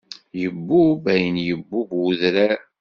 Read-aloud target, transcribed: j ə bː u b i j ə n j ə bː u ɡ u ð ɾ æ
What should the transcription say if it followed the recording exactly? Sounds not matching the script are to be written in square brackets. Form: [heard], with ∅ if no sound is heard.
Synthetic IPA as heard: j ə bː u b [æ] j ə n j ə bː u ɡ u ð ɾ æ